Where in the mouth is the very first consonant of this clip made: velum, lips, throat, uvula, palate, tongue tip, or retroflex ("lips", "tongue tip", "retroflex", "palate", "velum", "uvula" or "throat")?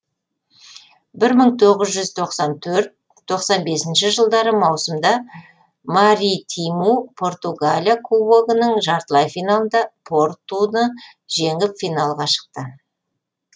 lips